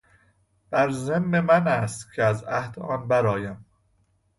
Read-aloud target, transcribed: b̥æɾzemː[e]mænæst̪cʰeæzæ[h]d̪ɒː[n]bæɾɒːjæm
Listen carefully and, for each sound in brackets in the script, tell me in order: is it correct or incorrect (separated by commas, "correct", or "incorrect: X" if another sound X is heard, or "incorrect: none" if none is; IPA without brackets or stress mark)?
correct, correct, correct